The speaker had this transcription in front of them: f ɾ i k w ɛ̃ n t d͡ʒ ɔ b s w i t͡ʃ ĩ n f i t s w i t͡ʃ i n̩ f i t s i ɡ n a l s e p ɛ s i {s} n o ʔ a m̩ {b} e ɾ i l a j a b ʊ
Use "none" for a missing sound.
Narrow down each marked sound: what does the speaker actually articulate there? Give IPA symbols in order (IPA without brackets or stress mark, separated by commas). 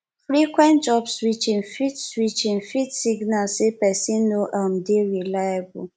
none, d